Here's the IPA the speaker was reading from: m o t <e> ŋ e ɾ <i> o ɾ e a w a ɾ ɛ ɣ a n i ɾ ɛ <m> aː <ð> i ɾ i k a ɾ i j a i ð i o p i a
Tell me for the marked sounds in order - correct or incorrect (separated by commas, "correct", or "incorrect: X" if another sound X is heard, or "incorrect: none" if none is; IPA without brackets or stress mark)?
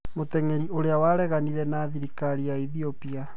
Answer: incorrect: ɛ, correct, incorrect: n, correct